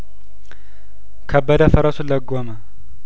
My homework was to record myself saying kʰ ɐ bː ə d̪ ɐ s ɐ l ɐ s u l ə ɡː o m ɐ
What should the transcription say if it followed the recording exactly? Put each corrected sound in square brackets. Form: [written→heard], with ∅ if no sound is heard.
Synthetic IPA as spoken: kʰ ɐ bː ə d̪ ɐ [s→f] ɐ [l→ɾ] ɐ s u l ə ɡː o m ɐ